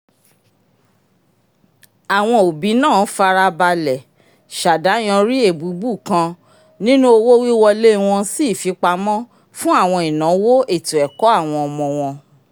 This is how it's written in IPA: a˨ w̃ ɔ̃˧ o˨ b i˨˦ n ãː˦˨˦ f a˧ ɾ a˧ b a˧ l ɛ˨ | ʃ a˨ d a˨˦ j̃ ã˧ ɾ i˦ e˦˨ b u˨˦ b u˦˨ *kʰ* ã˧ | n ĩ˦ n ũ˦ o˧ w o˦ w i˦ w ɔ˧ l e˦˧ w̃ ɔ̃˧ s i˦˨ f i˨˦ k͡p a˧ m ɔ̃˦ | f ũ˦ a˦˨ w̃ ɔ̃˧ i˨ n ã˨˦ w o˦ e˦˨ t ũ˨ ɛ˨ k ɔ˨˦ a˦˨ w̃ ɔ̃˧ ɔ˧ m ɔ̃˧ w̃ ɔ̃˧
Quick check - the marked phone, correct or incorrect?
incorrect: k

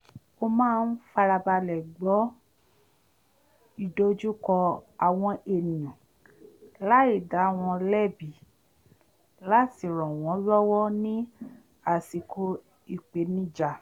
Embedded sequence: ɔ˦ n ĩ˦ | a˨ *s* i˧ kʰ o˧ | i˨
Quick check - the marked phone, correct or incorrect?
correct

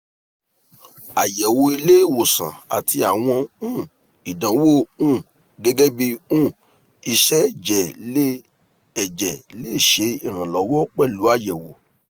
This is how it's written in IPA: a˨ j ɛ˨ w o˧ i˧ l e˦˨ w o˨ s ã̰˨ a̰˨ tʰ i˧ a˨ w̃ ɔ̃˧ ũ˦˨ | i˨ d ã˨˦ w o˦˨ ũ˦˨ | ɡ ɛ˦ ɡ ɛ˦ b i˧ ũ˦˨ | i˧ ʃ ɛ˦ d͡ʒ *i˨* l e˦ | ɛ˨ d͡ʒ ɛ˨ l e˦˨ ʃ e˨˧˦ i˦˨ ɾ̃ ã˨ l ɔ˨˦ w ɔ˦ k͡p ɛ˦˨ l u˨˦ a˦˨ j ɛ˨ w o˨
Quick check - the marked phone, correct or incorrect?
incorrect: ɛ˨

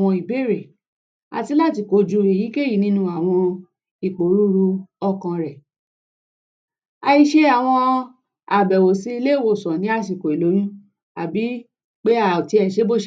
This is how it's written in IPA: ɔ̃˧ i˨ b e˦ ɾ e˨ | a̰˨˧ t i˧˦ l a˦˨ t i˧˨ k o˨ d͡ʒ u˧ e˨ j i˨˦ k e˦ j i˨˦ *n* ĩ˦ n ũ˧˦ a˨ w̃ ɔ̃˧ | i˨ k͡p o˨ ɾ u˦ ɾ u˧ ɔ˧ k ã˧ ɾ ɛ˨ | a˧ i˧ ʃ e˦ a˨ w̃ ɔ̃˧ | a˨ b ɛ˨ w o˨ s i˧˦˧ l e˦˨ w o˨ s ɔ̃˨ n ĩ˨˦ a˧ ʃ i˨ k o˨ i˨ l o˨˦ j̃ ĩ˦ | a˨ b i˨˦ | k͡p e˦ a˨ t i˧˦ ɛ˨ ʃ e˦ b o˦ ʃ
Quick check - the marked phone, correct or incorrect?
correct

